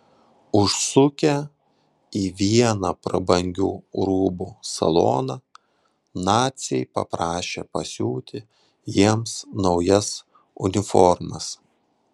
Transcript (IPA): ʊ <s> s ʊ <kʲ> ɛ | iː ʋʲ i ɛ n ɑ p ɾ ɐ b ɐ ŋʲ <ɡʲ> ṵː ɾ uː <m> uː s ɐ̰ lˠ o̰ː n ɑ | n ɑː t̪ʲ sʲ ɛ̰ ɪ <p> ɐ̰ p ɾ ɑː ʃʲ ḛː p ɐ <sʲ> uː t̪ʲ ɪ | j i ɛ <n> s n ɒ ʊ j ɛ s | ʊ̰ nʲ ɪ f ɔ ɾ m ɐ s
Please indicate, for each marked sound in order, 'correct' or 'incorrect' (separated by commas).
incorrect, correct, correct, incorrect, correct, correct, incorrect